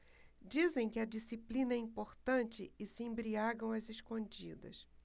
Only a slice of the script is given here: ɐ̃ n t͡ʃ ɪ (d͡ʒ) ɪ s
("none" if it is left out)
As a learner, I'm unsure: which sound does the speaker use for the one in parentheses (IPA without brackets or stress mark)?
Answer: none